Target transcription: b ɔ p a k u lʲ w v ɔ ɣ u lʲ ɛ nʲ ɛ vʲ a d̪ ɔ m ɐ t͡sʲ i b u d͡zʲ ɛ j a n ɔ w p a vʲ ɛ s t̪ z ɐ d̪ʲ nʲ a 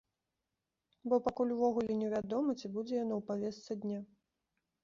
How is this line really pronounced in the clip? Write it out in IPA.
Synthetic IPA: b ɔ p a k u lʲ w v ɔ ɣ u lʲ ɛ nʲ ɛ vʲ a d̪ ɔ m ɐ t͡sʲ i b u d͡zʲ ɛ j a n ɔ w p a vʲ ɛ s t̪ s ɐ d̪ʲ nʲ a